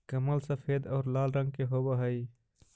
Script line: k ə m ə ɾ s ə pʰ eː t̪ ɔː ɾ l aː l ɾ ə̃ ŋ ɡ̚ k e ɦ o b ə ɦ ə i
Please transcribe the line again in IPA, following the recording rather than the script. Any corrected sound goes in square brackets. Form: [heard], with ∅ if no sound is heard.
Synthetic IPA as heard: k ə m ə [l] s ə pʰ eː [d̪] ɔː ɾ l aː l ɾ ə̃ ŋ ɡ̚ k e ɦ o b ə ɦ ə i